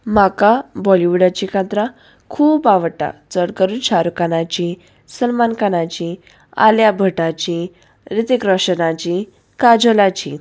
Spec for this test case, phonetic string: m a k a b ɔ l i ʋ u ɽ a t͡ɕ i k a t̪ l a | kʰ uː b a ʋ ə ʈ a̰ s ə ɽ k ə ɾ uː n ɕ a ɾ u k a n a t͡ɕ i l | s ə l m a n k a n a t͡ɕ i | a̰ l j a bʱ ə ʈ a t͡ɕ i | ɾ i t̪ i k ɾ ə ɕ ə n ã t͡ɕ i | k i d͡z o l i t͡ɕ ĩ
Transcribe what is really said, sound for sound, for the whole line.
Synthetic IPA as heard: m a k a b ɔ l i ʋ u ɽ a t͡ɕ i k a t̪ ɾ a | kʰ uː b a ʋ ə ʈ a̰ t͡s ə ɽ k ə ɾ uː n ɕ a ɾ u k a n a t͡ɕ i | s ə l m a n k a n a t͡ɕ i | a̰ l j a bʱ ə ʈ a t͡ɕ i | ɾ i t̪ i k ɾ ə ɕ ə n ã t͡ɕ i | k a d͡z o l a t͡ɕ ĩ

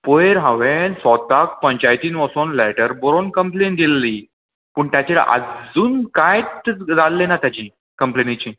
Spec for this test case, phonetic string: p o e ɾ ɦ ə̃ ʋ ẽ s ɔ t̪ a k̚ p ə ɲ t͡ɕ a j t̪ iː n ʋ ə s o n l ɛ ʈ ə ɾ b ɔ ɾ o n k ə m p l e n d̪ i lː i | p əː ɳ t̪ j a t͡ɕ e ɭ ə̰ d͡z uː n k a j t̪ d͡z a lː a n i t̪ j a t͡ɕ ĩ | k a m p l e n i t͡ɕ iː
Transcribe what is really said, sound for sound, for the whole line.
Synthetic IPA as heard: p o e ɾ ɦ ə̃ ʋ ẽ s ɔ t̪ a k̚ p ə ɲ t͡ɕ a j t̪ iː n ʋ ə s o n l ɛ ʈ ə ɾ b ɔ ɾ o n k ə m p l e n d̪ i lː i | p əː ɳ t̪ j a t͡ɕ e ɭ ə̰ d͡z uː n k a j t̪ d͡z a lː e n a t̪ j a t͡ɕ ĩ | k ə m p l e n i t͡ɕ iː

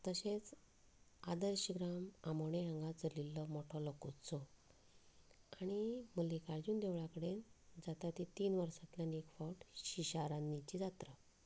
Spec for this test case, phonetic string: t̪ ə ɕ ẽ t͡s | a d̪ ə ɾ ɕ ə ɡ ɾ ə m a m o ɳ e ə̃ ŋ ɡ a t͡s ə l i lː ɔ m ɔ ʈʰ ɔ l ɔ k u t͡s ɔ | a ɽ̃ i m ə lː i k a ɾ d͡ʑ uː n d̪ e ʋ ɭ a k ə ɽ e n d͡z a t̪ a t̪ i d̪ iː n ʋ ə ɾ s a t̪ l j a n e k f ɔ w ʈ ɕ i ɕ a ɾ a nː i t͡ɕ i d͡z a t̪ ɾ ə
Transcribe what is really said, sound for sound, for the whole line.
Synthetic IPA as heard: t̪ ə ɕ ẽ t͡s | a d̪ ə ɾ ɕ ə ɡ ɾ a m a m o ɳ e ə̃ ŋ ɡ a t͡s ə l i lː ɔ m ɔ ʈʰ ɔ l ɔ k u t͡s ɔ | a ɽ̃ i m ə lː i k a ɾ d͡ʑ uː n d̪ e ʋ ɭ a k ə ɽ e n d͡z a t̪ a t̪ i t̪ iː n ʋ ə ɾ s a t̪ l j a n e k f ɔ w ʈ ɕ i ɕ a ɾ a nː i t͡ɕ i d͡z a t̪ ɾ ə

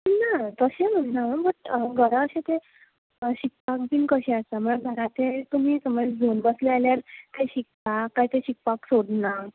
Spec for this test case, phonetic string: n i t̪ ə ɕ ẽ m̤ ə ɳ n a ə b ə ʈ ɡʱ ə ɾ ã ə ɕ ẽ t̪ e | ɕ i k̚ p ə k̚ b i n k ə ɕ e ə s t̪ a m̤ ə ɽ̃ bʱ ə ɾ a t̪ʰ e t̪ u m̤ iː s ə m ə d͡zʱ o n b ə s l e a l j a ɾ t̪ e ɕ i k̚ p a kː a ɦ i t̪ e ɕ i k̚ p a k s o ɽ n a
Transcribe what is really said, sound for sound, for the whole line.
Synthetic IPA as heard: n a t̪ ə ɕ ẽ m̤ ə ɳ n a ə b ə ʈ ɡʱ ə ɾ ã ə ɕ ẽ t̪ e | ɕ i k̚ p a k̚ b i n k ə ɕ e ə s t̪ a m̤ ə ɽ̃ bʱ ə ɾ a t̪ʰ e t̪ u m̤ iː s ə m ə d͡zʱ o n b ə s l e a l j a ɾ t̪ e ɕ i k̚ p a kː a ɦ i t̪ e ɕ i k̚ p a k s o ɽ n a

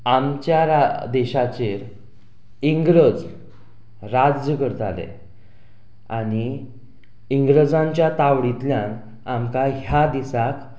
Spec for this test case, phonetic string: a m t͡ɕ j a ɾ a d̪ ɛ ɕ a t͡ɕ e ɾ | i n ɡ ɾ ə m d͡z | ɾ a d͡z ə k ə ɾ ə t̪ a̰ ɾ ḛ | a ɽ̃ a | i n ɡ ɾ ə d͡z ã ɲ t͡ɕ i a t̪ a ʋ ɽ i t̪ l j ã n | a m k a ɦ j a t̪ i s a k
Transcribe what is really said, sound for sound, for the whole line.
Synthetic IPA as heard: a m t͡ɕ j a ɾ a d̪ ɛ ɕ a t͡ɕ e ɾ | i ŋ ɡ ɾ ə d͡z | ɾ a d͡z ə k ə ɾ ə t̪ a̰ l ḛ | a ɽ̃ i | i ŋ ɡ ɾ ə d͡z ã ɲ t͡ɕ j a t̪ a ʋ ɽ i t̪ l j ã n | a m k a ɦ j a d̪ i s a k

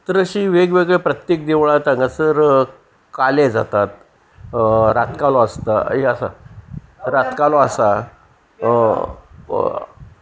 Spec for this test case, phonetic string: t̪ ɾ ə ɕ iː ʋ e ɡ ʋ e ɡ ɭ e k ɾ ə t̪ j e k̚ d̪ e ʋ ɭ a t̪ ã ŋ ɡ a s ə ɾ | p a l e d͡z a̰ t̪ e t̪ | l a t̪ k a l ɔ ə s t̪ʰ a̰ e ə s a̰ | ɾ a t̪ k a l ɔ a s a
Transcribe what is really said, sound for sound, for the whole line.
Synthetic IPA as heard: t̪ ɾ ə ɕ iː ʋ e ɡ ʋ e ɡ ɭ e p ɾ ə t̪ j e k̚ d̪ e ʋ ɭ a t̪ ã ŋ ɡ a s ə ɾ | k a l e d͡z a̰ t̪ a t̪ | ɾ a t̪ k a l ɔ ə s t̪ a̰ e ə s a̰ | ɾ a t̪ k a l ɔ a s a

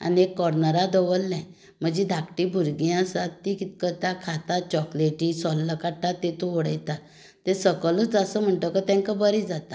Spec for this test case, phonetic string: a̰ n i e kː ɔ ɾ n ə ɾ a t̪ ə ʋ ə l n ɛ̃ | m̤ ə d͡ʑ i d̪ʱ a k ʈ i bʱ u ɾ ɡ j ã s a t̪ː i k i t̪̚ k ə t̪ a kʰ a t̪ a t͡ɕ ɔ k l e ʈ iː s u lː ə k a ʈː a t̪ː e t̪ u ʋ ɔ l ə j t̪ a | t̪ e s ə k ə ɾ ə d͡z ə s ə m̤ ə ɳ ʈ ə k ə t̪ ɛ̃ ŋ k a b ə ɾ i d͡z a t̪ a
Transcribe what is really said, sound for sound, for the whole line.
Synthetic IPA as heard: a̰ n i e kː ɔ ɾ n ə ɾ a d̪ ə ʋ ə l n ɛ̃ | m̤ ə d͡ʑ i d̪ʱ a k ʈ i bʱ u ɾ ɡ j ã s a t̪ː i k i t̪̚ k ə t̪ a kʰ a t̪ a t͡ɕ ɔ k l e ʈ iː s ɔ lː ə k a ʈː a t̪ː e t̪ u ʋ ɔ ɽ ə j t̪ a | t̪ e s ə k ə l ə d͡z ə s ə m̤ ə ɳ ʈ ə k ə t̪ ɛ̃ ŋ k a b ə ɾ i d͡z a t̪ a

